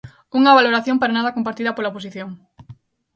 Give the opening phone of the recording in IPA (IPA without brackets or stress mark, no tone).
u